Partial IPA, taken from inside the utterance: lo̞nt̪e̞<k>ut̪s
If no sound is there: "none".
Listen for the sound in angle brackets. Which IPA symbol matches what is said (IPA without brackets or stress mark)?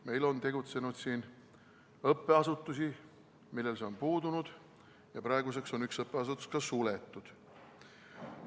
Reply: ɡ